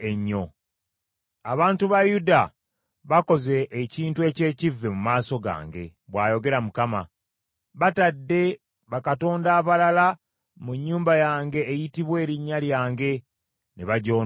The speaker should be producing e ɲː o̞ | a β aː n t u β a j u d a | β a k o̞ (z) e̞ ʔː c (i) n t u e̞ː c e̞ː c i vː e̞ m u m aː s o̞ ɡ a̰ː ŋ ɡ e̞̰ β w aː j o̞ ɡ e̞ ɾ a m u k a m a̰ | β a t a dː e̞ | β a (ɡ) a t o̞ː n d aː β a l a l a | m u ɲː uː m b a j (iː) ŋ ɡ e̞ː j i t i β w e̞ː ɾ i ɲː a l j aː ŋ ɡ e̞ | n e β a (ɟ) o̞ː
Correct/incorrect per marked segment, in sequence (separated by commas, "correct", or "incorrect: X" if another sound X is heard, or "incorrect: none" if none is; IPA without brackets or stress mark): correct, incorrect: iː, incorrect: k, incorrect: aː, correct